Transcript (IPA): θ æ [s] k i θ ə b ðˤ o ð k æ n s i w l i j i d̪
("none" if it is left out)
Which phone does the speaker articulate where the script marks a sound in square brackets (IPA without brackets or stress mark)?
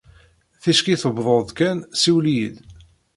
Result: ʃ